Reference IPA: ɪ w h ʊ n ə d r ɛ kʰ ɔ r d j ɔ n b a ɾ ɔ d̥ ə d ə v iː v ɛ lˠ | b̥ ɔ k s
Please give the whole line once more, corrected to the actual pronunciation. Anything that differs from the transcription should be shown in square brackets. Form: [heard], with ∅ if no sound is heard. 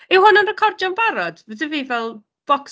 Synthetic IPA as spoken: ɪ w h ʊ n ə [n] r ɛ kʰ ɔ r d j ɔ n b a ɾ ɔ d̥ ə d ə v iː v ɛ lˠ | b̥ ɔ k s